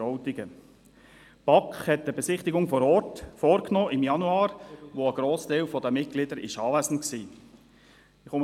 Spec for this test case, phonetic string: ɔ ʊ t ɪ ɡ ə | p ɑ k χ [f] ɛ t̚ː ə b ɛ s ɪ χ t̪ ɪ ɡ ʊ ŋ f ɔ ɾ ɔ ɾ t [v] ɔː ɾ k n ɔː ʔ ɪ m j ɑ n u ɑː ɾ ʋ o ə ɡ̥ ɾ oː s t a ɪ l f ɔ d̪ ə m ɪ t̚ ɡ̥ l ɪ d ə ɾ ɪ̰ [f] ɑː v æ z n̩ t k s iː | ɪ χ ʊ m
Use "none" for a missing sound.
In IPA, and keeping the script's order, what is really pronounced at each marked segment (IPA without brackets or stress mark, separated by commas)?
h, f, ʃ